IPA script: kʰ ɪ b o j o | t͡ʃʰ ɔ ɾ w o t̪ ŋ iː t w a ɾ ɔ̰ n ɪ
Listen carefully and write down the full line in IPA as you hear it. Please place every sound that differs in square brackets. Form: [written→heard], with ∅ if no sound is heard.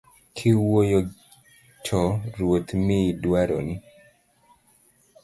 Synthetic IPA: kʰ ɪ [b→w] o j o | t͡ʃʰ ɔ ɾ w o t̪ [ŋ→m] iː [t→d] w a ɾ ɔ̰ n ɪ